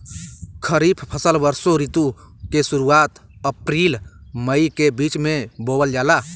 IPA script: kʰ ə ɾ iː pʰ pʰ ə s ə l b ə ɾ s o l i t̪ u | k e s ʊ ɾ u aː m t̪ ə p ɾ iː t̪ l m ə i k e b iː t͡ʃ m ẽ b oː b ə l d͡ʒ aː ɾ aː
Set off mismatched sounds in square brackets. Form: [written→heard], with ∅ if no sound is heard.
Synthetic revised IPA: kʰ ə ɾ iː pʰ pʰ ə s ə l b ə ɾ s o [l→ɾ] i t̪ u | k e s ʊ ɾ u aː [m→∅] t̪ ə p ɾ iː [t̪→∅] l m ə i k e b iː t͡ʃ m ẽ b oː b ə l d͡ʒ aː [ɾ→l] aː